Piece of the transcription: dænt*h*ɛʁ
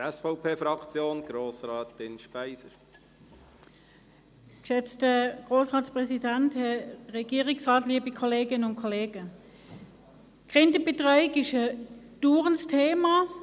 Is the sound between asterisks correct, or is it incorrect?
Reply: correct